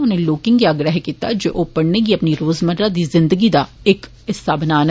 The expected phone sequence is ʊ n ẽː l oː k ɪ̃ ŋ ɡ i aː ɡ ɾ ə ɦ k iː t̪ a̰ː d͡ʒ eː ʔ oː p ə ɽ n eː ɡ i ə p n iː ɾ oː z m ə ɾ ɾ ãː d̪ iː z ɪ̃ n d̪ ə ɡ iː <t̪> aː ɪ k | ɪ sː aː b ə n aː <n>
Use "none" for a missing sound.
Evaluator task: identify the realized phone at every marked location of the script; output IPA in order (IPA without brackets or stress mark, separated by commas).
d̪, n